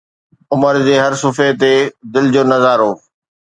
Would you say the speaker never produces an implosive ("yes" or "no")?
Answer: yes